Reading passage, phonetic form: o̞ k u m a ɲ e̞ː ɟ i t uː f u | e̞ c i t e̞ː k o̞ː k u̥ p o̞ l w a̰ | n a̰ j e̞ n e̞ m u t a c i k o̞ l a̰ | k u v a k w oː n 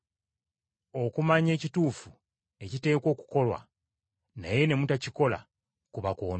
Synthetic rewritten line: o̞ k u m a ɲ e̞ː c i t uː f u | e̞ c i t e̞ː k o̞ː k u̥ k o̞ l w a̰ | n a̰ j e̞ n e̞ m u t a c i k o̞ l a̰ | k u β a k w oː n